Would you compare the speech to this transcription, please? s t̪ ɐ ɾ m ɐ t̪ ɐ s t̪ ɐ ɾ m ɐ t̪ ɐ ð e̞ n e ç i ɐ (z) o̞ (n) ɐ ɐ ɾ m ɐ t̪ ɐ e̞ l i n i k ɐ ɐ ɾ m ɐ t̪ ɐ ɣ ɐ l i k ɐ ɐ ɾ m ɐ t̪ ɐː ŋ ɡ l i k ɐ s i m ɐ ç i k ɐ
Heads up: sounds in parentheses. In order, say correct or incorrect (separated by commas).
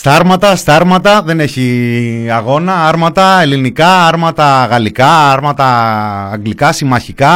incorrect, correct